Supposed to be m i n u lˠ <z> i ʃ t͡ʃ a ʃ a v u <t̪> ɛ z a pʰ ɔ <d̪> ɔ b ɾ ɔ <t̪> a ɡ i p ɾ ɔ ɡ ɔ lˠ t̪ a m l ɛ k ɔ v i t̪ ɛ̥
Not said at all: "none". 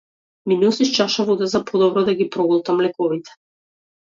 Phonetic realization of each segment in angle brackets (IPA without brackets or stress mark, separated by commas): s, d̪, d̪, d̪